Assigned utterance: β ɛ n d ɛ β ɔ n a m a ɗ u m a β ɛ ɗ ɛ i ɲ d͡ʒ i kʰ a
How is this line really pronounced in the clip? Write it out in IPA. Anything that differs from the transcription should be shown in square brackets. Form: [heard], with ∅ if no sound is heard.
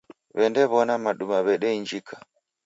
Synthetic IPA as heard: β ɛ n d ɛ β ɔ n a m a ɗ u m a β ɛ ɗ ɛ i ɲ d͡ʒ i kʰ a

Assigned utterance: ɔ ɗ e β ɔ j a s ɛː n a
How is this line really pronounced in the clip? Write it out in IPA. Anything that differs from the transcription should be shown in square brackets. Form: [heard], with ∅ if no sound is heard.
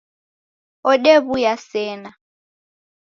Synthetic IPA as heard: ɔ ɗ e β [u] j a s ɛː n a

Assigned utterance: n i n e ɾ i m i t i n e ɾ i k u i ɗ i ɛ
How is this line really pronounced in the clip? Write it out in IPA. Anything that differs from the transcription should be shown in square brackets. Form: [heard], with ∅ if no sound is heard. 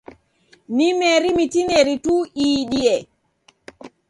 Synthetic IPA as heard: n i [m] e ɾ i m i t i n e ɾ i [t] u i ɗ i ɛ

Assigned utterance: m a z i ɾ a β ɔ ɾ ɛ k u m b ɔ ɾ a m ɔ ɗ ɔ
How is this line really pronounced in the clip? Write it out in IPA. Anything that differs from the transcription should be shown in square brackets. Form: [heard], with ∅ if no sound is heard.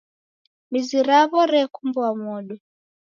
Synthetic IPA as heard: m [i] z i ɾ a β ɔ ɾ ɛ k u m b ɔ [∅] a m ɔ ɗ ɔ

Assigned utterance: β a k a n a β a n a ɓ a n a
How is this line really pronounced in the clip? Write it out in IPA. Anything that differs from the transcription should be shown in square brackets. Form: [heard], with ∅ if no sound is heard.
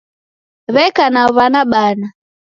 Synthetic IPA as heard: β [ɛ] k a n a β a n a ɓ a n a

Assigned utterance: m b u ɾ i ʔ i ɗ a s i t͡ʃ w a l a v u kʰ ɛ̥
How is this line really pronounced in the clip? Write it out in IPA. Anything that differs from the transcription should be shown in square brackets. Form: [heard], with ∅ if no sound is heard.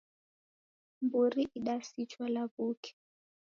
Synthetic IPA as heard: m b u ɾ i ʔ i ɗ a s i t͡ʃ w a l a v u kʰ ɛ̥

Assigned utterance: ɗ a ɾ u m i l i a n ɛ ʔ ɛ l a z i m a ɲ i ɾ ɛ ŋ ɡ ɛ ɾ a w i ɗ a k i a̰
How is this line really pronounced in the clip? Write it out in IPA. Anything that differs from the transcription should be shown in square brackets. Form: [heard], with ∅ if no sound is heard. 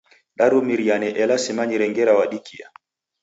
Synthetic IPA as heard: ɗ a ɾ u m i [ɾ] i a n ɛ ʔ ɛ l a [s] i m a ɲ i ɾ ɛ ŋ ɡ ɛ ɾ a w [a] ɗ [i] k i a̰

